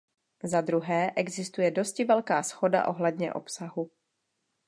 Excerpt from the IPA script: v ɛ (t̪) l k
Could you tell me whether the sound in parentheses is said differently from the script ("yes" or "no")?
yes